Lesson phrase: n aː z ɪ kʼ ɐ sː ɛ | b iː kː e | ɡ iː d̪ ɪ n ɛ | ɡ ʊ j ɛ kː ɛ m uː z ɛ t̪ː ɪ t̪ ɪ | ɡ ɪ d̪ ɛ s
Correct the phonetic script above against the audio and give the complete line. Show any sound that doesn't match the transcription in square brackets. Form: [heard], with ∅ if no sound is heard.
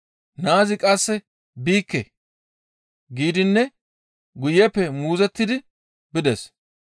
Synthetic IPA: n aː z ɪ kʼ ɐ sː ɛ | b iː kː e | ɡ iː d̪ ɪ [nː] ɛ | ɡ ʊ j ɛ [pː] ɛ m uː z ɛ t̪ː ɪ [d̪] ɪ | [b] ɪ d̪ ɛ s

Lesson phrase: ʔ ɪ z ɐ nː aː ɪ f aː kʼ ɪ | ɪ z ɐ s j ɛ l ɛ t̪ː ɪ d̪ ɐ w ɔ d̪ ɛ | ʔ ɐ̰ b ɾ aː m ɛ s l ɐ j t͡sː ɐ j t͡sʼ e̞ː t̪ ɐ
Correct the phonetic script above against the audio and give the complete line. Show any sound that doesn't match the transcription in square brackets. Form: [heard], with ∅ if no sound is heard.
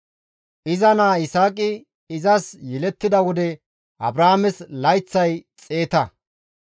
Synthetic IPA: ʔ ɪ z ɐ [n] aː ɪ [s] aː kʼ ɪ | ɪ z ɐ s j ɛ l ɛ t̪ː ɪ d̪ ɐ w ɔ d̪ ɛ | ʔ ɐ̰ b ɾ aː m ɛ s l ɐ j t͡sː ɐ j t͡sʼ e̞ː t̪ ɐ

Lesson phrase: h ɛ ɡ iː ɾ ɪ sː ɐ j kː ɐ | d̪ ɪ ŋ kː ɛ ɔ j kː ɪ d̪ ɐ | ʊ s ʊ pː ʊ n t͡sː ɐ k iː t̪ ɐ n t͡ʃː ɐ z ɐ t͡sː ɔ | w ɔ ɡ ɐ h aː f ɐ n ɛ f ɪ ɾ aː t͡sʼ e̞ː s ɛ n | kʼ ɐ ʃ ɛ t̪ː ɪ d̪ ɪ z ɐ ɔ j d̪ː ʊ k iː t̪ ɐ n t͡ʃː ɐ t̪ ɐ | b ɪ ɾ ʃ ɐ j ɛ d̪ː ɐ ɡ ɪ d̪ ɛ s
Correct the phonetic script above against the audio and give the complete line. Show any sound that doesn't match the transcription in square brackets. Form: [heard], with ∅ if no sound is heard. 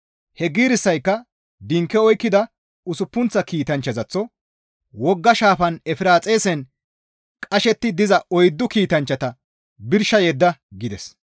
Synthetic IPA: h ɛ ɡ iː ɾ ɪ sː ɐ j kː ɐ | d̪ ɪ ŋ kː ɛ ɔ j kː ɪ d̪ ɐ | ʊ s ʊ pː ʊ n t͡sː ɐ k iː t̪ ɐ n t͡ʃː ɐ z ɐ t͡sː ɔ | w ɔ [ɡː] ɐ [ʃ] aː f ɐ n ɛ f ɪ ɾ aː t͡sʼ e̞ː s ɛ n | kʼ ɐ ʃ ɛ t̪ː ɪ d̪ ɪ z ɐ ɔ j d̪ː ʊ k iː t̪ ɐ n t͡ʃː ɐ t̪ ɐ | b ɪ ɾ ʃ ɐ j ɛ d̪ː ɐ ɡ ɪ d̪ ɛ s

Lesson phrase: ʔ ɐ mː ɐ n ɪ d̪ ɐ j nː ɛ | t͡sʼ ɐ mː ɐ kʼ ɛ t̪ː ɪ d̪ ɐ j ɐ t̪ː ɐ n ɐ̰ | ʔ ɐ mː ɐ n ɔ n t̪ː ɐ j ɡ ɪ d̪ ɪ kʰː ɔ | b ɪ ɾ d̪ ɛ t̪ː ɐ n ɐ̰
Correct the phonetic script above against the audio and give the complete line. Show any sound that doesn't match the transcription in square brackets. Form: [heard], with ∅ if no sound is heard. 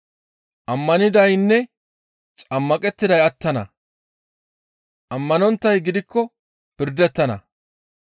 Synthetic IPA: ʔ ɐ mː ɐ n ɪ d̪ ɐ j nː ɛ | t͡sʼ ɐ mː ɐ kʼ ɛ t̪ː ɪ d̪ ɐ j ɐ t̪ː ɐ n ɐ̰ | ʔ ɐ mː ɐ n ɔ n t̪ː ɐ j ɡ ɪ d̪ ɪ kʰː ɔ | [p] ɪ ɾ d̪ ɛ t̪ː ɐ n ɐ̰

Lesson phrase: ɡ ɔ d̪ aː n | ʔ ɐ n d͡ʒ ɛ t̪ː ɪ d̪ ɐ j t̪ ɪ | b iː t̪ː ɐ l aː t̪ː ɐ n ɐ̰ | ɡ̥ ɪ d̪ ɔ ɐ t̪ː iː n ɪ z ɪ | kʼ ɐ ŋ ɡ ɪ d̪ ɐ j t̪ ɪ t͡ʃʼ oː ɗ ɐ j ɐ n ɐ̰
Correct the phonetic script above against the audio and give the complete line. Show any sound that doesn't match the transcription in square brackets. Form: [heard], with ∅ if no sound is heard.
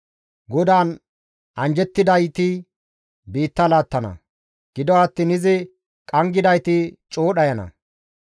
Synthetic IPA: ɡ ɔ d̪ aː n | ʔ ɐ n d͡ʒ ɛ t̪ː ɪ d̪ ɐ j t̪ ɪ | b iː t̪ː ɐ l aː t̪ː ɐ n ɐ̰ | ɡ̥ ɪ d̪ ɔ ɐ t̪ː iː n ɪ z ɪ | kʼ ɐ ŋ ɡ ɪ d̪ ɐ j t̪ ɪ t͡ʃʼ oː ɗ ɐ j ɐ n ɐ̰

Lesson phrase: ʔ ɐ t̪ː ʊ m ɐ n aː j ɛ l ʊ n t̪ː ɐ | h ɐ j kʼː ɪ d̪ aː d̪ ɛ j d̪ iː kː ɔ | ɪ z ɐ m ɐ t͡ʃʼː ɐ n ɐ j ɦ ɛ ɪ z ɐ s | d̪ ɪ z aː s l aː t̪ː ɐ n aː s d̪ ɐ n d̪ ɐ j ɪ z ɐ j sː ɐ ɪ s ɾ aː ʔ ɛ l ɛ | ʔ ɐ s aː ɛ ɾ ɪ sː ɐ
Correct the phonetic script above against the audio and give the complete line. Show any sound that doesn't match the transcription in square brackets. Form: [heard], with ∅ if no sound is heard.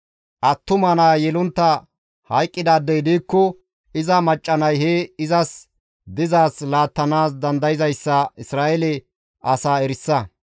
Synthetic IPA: ʔ ɐ t̪ː ʊ m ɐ n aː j ɛ l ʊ n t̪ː ɐ | h ɐ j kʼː ɪ d̪ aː d̪ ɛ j d̪ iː kː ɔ | ɪ z ɐ m ɐ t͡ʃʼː ɐ n ɐ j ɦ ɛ ɪ z ɐ s | d̪ ɪ z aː s l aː t̪ː ɐ n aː s d̪ ɐ n d̪ ɐ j ɪ z ɐ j sː ɐ ɪ s ɾ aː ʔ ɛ l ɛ | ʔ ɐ s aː ɛ ɾ ɪ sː ɐ

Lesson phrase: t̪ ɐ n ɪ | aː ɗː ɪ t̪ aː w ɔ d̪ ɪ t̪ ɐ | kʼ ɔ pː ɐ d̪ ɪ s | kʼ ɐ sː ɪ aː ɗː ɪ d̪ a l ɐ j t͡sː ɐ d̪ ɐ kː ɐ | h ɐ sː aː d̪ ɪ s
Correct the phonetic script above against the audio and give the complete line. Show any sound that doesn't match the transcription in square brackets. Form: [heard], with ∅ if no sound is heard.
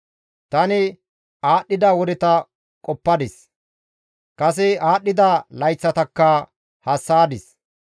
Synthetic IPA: t̪ ɐ n ɪ | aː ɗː ɪ [d̪] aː w ɔ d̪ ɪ t̪ ɐ | kʼ ɔ pː ɐ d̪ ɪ s | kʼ ɐ [s] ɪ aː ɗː ɪ d̪ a l ɐ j t͡sː ɐ [t̪] ɐ kː ɐ | h ɐ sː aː d̪ ɪ s

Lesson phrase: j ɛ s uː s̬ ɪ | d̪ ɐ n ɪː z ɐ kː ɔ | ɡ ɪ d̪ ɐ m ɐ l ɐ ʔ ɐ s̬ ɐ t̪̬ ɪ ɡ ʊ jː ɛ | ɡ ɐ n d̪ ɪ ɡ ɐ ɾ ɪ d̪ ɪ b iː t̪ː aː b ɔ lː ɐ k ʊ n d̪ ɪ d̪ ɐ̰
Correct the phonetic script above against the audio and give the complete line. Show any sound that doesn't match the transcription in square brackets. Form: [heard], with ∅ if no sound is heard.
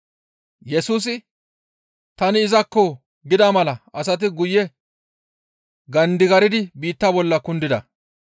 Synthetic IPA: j ɛ s uː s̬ ɪ | [t̪] ɐ n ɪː z ɐ kː ɔ | ɡ ɪ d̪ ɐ m ɐ l ɐ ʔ ɐ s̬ ɐ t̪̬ ɪ ɡ ʊ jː ɛ | ɡ ɐ n d̪ ɪ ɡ ɐ ɾ ɪ d̪ ɪ b iː t̪ː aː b ɔ lː ɐ k ʊ n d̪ ɪ d̪ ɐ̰

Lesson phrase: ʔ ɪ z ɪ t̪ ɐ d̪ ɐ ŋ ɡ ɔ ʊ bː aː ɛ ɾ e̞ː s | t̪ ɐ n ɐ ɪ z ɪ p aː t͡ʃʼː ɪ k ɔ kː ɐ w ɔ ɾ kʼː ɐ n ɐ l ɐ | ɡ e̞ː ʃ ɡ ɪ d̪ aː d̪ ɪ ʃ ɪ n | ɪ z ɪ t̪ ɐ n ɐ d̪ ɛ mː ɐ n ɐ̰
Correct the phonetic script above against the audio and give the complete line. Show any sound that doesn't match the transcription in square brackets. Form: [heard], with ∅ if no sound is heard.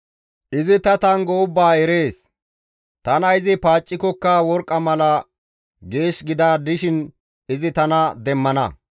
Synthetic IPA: ʔ ɪ z ɪ t̪ ɐ [t̪] ɐ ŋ ɡ ɔ ʊ bː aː ɛ ɾ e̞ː s | t̪ ɐ n ɐ ɪ z ɪ p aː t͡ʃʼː ɪ k ɔ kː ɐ w ɔ ɾ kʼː ɐ [m] ɐ l ɐ | ɡ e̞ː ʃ ɡ ɪ d̪ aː d̪ ɪ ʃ ɪ n | ɪ z ɪ t̪ ɐ n ɐ d̪ ɛ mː ɐ n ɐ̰

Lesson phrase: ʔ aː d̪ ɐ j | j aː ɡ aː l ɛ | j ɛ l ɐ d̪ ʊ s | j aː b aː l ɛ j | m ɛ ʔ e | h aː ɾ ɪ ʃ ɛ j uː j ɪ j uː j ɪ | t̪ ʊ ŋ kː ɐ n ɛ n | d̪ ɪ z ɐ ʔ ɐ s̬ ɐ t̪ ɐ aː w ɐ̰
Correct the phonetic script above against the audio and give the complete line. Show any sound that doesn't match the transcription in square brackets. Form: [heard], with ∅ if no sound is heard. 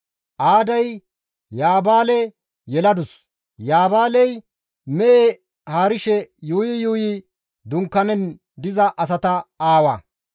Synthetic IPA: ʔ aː d̪ ɐ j | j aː [b] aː l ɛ | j ɛ l ɐ d̪ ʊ s | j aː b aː l ɛ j | m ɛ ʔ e | h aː ɾ ɪ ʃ ɛ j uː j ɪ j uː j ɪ | [d̪] ʊ ŋ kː ɐ n ɛ n | d̪ ɪ z ɐ ʔ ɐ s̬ ɐ t̪ ɐ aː w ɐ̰

